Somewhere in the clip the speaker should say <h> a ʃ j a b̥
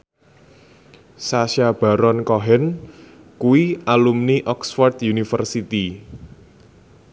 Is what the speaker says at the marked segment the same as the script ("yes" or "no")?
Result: no